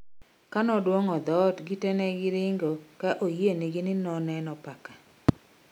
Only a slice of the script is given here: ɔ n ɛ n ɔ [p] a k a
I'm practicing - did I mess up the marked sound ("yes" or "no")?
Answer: no